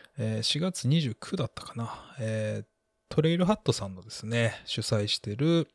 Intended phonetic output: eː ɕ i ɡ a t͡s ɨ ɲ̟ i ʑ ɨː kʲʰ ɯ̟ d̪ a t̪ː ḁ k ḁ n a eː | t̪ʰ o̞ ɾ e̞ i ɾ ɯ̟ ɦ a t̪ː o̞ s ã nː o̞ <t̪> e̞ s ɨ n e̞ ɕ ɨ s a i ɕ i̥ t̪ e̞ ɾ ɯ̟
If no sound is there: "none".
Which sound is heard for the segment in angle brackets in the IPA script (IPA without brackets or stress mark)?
d̪